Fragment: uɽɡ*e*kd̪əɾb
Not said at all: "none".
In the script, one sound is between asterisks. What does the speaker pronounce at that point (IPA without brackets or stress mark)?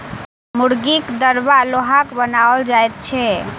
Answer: i